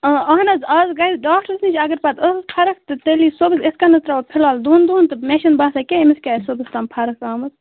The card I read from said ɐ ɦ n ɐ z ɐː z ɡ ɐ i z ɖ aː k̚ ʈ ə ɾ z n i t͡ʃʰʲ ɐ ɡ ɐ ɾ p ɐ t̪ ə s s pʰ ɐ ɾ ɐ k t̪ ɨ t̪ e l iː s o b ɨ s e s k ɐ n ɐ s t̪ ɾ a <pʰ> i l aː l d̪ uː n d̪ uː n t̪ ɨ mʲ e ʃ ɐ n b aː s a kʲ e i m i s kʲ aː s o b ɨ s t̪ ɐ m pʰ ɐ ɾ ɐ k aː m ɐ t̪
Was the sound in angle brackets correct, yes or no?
yes